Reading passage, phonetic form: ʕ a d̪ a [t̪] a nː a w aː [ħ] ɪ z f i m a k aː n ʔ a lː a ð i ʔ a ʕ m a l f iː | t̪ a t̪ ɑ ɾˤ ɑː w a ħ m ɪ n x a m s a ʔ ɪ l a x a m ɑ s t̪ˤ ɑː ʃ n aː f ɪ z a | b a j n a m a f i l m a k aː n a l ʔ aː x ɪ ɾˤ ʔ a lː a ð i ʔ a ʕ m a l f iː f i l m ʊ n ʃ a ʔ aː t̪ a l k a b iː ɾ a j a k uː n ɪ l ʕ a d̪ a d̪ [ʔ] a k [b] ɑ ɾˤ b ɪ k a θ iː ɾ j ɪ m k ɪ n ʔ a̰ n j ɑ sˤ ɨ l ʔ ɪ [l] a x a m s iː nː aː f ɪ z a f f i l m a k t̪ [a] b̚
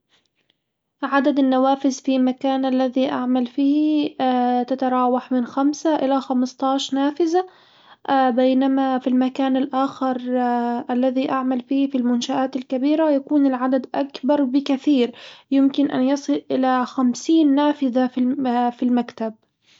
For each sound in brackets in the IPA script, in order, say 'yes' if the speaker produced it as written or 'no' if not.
no, no, yes, yes, yes, yes

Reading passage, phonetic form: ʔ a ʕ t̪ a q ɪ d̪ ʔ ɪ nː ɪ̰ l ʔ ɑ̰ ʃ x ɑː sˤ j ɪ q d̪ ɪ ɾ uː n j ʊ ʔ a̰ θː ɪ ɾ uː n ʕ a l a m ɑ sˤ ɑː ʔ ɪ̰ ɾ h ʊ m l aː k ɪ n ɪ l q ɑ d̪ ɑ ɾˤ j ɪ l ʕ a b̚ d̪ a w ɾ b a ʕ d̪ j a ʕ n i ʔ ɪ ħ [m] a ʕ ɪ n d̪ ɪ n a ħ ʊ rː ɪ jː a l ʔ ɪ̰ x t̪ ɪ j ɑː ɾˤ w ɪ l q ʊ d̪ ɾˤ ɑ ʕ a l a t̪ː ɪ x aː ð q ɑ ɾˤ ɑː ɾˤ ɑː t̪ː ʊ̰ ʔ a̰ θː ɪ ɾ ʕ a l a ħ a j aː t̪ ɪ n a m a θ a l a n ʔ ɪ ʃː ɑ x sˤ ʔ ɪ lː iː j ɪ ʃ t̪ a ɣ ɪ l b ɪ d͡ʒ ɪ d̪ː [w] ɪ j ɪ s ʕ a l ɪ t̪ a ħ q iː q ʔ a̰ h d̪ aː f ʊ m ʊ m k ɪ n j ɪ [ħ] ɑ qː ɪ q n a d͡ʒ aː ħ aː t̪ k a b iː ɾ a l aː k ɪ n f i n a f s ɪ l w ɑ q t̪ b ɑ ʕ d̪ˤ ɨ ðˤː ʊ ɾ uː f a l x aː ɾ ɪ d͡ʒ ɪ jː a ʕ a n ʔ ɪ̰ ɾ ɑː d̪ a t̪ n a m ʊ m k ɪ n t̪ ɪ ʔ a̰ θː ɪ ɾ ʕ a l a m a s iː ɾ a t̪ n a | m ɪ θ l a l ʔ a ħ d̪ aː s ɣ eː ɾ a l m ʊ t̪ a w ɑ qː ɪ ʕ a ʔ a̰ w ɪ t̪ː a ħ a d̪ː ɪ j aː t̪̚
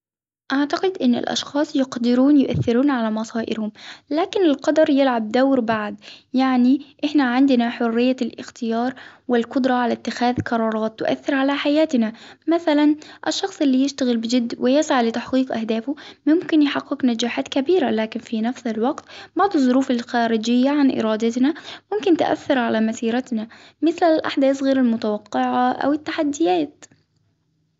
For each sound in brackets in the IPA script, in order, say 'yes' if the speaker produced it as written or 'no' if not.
no, yes, yes

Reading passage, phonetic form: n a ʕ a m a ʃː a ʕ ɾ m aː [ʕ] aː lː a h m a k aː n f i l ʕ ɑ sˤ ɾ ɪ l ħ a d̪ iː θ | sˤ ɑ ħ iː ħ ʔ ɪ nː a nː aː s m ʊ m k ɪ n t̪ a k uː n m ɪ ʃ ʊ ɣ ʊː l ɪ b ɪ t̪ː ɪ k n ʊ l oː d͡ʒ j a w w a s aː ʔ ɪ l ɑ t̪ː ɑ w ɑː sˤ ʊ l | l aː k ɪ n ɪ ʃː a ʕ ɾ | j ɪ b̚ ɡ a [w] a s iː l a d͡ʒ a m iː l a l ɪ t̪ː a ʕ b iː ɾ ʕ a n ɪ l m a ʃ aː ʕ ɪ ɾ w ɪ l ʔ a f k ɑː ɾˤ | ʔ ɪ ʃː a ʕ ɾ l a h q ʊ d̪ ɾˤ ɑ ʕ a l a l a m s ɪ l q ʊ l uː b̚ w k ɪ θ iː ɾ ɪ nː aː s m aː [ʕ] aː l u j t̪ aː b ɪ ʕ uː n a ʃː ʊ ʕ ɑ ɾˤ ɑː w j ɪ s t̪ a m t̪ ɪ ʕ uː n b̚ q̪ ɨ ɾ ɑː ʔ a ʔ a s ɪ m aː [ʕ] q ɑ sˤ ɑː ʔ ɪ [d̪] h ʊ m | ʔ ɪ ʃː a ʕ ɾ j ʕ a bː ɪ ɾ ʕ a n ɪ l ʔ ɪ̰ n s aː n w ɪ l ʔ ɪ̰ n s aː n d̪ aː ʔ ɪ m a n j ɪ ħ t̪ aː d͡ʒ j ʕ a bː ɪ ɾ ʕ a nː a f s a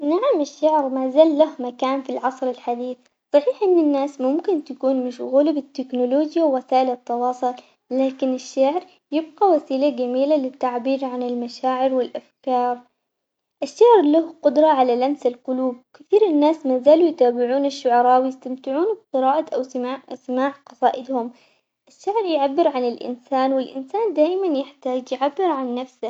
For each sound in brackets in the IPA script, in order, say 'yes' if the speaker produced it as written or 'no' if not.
no, yes, no, yes, yes

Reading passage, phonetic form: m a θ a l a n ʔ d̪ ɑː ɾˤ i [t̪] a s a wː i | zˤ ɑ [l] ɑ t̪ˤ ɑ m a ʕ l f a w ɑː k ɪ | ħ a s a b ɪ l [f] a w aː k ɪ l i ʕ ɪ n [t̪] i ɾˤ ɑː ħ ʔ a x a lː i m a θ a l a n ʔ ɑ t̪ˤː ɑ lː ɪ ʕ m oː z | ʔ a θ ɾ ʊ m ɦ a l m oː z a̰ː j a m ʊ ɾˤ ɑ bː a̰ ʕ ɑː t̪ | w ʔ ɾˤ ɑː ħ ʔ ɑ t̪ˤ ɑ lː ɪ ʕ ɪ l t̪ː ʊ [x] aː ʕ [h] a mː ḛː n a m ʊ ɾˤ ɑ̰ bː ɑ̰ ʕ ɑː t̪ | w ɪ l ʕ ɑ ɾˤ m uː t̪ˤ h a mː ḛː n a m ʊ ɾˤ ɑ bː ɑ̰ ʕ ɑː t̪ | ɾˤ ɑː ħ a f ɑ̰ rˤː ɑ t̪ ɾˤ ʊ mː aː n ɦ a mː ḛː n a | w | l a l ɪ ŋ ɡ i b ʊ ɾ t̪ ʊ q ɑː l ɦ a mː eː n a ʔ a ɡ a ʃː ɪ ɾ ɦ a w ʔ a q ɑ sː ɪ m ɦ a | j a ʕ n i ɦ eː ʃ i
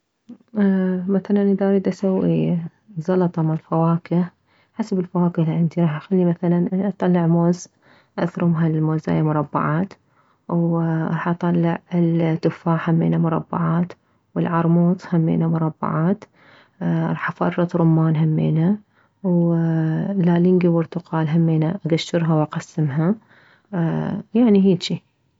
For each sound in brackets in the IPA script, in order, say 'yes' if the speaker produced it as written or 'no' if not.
no, yes, yes, no, no, yes

